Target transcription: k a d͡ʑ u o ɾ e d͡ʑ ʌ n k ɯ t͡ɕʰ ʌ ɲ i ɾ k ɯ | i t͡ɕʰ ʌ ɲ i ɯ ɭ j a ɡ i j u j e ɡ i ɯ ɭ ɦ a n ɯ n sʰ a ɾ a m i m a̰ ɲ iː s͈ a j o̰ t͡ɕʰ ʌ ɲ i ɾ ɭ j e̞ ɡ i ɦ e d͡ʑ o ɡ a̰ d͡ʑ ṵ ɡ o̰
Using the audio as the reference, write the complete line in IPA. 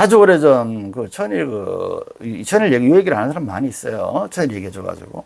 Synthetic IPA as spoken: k a d͡ʑ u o ɾ e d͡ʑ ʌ n k ɯ t͡ɕʰ ʌ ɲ i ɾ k ɯ | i t͡ɕʰ ʌ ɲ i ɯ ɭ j e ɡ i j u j e ɡ i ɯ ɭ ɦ a n ɯ n sʰ a ɾ a m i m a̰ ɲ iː s͈ ʌ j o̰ t͡ɕʰ ʌ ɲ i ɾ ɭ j e̞ ɡ i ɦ e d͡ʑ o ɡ a̰ d͡ʑ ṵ ɡ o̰